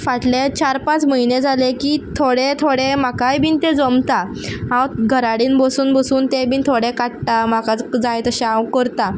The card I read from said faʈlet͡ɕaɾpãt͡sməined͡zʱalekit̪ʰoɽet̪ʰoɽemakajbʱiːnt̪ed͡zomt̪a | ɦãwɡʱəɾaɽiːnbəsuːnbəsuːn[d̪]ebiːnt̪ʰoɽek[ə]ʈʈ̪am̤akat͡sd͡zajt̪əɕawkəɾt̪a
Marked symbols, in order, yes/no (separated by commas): no, no